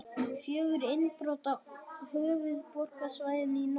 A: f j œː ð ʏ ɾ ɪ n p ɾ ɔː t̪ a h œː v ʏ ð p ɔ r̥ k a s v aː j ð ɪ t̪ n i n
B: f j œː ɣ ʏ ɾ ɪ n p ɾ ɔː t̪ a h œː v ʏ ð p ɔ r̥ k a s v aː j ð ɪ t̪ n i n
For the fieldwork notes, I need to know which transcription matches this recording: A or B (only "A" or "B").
B